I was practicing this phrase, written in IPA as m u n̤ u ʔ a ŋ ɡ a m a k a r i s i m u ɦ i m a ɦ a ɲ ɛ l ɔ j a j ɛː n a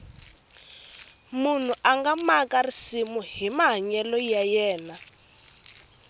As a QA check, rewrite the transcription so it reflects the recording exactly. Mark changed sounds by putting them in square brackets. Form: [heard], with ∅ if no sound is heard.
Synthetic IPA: m u n̤ u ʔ a ŋ ɡ a m a k a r i s i m u ɦ i m a ɦ a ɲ ɛ l ɔ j a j ɛː n a